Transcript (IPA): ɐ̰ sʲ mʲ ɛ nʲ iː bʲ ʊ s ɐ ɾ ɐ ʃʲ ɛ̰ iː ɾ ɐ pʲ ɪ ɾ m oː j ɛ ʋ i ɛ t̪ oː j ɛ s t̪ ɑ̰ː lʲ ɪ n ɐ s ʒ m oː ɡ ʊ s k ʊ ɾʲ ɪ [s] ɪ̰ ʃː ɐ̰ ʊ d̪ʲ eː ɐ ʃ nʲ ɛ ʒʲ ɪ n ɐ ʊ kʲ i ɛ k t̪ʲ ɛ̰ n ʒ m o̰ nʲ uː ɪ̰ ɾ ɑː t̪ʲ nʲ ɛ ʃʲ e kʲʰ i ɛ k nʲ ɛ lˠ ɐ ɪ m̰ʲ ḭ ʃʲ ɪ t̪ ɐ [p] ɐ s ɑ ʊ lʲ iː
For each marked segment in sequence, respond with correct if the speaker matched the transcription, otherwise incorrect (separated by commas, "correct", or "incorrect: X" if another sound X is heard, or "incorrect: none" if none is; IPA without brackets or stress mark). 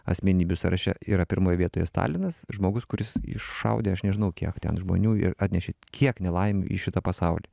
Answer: correct, correct